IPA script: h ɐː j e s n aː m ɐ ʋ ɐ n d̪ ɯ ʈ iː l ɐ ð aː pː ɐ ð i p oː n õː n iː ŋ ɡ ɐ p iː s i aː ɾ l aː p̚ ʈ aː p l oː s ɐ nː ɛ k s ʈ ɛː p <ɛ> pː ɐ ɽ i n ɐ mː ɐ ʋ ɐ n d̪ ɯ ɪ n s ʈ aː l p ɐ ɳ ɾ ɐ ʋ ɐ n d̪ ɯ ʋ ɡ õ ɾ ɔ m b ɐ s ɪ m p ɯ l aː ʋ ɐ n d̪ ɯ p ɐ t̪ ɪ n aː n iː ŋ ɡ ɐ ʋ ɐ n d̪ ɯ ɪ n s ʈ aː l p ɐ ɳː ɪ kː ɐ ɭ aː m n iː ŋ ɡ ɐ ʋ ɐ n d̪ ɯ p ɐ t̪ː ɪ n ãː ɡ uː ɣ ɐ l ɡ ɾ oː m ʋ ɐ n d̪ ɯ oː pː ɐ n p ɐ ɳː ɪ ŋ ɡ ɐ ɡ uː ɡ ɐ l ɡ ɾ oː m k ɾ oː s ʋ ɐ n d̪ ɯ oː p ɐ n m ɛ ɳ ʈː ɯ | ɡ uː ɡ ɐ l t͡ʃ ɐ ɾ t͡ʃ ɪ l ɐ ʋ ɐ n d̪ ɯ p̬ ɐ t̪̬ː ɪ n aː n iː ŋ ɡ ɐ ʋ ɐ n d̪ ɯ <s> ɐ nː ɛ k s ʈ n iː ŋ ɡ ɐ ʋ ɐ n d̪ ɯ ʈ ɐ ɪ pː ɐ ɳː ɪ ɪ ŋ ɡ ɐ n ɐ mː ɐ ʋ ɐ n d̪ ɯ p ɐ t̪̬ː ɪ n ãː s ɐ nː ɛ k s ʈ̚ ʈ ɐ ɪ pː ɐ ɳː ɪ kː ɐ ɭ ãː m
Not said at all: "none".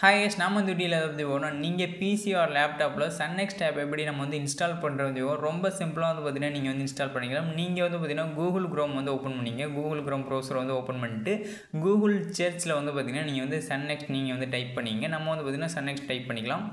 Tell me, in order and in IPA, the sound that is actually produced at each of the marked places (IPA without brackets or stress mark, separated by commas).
ɛ, s